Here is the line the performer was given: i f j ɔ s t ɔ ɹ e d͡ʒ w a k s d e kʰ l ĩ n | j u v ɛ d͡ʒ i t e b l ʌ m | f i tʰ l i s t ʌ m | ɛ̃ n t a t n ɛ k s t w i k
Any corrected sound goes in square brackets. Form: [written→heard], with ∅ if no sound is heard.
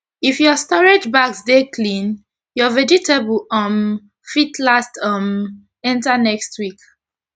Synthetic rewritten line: i f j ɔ s t ɔ ɹ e d͡ʒ [w→b] a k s d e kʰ l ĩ n | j [u→ɔ] v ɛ d͡ʒ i t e b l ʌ m | f i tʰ l [i→a] s t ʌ m | ɛ̃ n t a [t→∅] n ɛ k s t w i k